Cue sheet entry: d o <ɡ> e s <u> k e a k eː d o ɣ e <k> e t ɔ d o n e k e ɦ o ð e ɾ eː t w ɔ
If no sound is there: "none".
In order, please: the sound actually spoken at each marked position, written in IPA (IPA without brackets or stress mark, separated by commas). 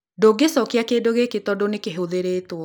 ɡ, ɔ, k